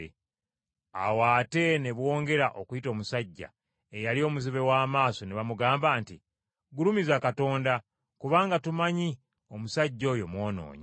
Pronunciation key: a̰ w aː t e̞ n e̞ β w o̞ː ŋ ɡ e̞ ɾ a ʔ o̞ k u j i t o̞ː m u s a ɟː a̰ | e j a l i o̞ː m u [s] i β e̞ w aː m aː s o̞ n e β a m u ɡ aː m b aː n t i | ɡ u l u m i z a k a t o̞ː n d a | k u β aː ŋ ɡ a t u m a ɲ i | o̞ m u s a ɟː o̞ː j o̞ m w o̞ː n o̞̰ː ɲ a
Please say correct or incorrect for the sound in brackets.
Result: incorrect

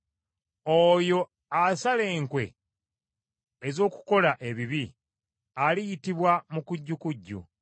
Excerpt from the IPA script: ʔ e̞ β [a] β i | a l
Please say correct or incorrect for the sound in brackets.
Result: incorrect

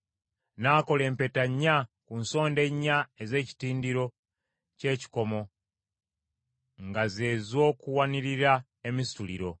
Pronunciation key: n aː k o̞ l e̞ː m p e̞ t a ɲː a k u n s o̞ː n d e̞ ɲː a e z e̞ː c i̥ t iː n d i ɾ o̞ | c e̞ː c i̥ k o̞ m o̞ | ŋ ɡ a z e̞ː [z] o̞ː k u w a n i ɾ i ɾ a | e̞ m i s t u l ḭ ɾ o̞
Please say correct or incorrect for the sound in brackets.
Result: correct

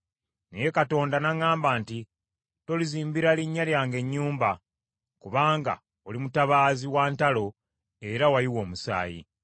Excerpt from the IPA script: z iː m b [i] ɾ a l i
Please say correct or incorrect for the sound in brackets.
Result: correct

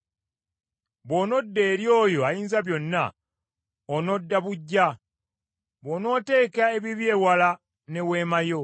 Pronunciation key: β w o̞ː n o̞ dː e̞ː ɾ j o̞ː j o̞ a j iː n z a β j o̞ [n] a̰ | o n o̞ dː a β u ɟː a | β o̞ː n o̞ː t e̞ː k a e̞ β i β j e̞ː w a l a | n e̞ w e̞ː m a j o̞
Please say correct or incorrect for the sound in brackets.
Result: incorrect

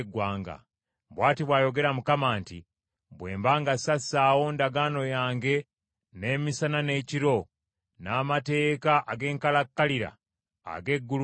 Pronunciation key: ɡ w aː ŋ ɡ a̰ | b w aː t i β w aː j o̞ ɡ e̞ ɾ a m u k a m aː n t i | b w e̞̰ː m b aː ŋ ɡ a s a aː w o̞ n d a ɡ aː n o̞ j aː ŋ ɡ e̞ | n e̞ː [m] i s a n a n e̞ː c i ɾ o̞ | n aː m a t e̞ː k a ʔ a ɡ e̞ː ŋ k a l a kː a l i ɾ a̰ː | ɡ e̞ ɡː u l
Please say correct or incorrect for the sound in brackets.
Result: correct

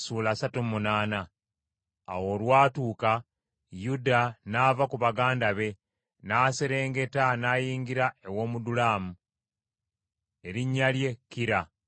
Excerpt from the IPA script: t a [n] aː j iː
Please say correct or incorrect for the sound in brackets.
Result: correct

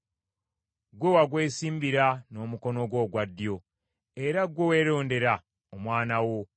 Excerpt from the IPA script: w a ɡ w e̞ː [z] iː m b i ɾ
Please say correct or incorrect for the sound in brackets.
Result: incorrect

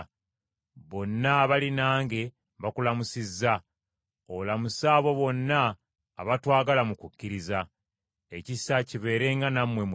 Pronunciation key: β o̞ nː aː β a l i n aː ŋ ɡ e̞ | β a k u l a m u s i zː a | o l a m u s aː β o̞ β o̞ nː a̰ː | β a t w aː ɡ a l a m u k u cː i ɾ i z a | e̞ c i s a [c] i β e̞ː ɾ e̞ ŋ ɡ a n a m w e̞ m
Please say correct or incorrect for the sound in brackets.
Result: correct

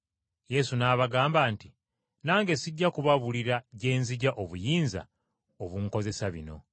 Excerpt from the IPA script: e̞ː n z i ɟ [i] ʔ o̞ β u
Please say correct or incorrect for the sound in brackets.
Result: incorrect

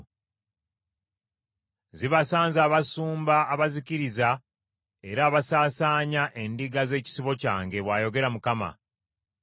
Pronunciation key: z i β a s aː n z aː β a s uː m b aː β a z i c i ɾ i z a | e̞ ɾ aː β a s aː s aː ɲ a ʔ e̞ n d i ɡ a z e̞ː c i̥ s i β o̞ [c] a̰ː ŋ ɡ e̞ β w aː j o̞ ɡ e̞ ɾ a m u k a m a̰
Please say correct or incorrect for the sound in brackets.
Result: correct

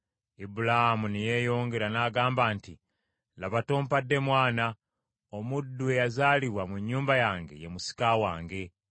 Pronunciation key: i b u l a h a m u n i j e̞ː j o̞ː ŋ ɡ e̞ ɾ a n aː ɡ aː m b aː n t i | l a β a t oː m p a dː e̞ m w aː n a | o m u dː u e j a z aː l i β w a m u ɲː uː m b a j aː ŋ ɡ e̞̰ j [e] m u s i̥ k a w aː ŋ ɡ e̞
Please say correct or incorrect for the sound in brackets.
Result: correct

